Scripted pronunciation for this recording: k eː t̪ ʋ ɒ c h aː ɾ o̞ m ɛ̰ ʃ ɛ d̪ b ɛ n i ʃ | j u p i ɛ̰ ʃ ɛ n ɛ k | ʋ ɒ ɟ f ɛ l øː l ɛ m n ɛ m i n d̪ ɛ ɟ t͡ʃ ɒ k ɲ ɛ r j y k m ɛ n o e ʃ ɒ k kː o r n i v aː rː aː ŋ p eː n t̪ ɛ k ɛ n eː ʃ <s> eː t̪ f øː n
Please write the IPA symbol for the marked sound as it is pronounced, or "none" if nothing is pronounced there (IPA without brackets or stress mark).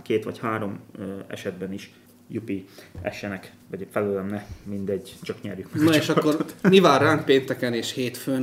h